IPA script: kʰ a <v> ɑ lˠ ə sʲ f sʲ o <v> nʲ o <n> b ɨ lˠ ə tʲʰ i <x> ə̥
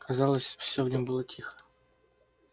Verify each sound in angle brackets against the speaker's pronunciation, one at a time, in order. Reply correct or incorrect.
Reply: incorrect: z, correct, incorrect: m, correct

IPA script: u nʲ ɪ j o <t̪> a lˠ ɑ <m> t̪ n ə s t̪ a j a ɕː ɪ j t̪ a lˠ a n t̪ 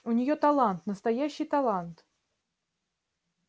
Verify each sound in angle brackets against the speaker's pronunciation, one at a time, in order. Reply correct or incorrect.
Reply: correct, incorrect: n

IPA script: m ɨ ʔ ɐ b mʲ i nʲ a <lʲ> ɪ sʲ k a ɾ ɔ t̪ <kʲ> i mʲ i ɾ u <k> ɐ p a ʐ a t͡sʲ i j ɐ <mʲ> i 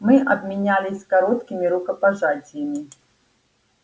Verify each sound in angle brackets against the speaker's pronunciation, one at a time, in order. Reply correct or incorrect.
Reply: correct, correct, correct, correct

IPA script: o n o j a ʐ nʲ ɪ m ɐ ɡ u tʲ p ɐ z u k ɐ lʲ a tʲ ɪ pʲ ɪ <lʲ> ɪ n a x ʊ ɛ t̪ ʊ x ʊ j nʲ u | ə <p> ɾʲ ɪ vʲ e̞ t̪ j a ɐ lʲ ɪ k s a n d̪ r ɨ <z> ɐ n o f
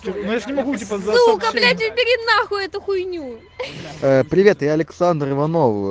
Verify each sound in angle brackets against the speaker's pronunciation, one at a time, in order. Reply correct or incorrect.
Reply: incorrect: ɾʲ, correct, incorrect: v

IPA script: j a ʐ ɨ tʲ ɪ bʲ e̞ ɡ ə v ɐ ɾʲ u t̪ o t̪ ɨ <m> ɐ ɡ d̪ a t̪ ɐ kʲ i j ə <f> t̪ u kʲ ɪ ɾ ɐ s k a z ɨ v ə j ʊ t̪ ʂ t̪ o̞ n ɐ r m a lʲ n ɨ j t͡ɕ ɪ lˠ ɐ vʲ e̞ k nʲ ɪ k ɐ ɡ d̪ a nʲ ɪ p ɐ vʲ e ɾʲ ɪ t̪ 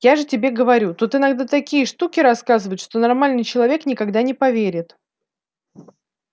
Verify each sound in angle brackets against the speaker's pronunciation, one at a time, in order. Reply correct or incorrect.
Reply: incorrect: n, incorrect: ʂ

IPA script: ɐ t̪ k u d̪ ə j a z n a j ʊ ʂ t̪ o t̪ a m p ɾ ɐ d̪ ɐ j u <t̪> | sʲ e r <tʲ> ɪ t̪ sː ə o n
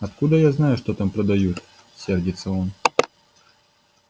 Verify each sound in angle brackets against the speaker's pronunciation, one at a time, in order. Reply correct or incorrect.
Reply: correct, incorrect: dʲ

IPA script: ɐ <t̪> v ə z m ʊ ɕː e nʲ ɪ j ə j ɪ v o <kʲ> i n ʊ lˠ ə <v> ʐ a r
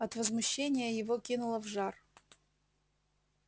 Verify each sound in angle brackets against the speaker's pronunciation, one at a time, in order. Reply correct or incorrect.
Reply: correct, correct, correct

